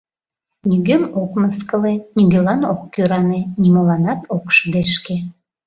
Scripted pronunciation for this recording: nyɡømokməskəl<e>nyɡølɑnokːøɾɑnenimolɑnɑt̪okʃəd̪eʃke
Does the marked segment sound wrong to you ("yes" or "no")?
no